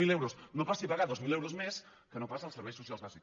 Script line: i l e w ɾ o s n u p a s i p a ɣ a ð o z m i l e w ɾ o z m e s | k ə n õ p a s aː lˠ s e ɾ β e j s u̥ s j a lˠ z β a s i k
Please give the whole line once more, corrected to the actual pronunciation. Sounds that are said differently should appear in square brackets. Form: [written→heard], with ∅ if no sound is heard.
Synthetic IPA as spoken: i l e w ɾ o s n [u→o] p a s i p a ɣ a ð o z m i l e w ɾ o z m e s | k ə n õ p a s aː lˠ s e ɾ β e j s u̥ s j a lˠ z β a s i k